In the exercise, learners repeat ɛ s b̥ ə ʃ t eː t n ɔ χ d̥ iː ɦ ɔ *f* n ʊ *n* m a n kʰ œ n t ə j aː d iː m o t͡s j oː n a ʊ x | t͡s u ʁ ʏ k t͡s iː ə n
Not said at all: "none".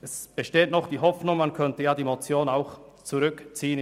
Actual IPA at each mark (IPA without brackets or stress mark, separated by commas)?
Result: f, ŋ